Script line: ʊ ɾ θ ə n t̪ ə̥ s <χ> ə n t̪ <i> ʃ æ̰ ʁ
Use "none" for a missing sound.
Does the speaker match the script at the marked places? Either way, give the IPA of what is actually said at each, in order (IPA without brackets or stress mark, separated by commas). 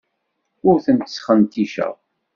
χ, i